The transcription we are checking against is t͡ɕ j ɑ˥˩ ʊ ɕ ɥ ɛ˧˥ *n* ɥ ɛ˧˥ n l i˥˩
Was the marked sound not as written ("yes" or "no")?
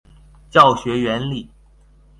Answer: yes